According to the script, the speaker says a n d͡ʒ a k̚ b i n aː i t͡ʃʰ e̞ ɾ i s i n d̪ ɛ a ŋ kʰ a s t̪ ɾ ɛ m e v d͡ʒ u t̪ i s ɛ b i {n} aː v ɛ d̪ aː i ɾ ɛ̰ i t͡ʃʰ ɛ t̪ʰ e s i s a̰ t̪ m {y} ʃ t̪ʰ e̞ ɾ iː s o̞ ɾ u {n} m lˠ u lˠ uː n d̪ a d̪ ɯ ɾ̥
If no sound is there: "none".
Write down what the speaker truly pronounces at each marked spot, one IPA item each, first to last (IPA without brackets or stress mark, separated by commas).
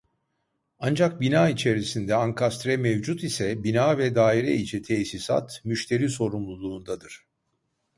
n, y, none